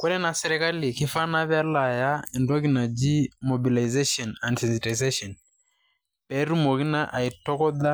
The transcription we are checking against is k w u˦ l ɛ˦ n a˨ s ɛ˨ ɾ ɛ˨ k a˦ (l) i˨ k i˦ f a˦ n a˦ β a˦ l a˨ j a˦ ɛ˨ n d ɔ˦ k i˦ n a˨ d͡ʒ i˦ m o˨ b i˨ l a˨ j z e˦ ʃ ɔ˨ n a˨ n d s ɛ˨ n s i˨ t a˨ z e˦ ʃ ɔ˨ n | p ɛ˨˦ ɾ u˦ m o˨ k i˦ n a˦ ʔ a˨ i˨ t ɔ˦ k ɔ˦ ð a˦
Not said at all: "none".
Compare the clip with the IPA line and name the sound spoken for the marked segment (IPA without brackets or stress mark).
l